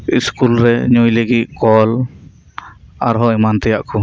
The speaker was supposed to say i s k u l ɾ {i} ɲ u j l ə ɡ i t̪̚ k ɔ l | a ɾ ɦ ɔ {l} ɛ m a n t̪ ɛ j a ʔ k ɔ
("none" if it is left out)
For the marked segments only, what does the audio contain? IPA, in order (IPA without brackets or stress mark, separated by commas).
ɛ, none